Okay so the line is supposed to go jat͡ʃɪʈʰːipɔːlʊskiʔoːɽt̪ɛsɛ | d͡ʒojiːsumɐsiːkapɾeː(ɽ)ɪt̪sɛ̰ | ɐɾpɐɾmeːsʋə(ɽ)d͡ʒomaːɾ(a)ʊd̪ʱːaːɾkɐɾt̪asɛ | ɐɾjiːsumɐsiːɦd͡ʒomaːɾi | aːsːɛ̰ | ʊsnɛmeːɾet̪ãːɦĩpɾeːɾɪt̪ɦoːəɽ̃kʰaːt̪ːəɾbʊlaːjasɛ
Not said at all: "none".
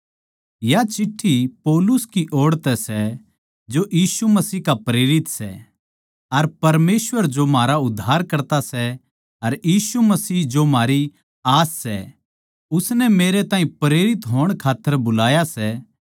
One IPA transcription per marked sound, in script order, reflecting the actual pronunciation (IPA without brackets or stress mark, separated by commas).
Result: ɾ, ɾ, a